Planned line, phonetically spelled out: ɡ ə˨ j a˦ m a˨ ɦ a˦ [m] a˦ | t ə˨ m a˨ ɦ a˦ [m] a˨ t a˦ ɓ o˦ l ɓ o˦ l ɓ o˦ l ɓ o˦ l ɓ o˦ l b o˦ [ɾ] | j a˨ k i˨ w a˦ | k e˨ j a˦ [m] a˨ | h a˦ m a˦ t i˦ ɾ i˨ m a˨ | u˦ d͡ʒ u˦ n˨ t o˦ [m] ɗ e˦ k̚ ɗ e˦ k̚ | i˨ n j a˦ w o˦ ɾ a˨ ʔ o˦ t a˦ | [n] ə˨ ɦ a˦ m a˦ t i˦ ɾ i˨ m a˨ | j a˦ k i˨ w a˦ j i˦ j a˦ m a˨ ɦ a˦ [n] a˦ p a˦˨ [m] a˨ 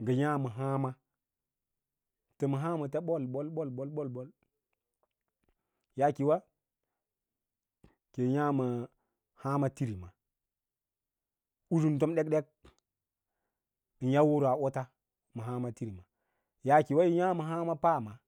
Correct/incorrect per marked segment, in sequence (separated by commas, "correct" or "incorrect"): correct, correct, incorrect, correct, correct, incorrect, incorrect, correct